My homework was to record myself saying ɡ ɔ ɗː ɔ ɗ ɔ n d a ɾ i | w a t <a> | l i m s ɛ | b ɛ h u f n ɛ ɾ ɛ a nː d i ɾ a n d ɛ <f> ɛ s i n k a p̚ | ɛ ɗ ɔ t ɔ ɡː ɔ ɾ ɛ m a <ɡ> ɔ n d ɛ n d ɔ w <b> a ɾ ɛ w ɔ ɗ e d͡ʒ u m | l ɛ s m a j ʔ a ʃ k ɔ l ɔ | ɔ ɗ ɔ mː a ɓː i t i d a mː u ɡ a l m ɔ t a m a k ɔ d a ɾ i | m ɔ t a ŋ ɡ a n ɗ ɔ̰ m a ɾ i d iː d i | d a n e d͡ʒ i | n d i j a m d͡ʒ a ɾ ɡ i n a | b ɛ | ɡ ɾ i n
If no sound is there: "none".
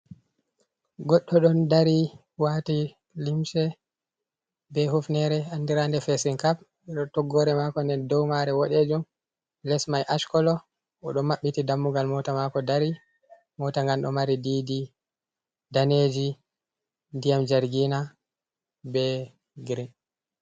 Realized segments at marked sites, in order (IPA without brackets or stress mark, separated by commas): i, f, k, m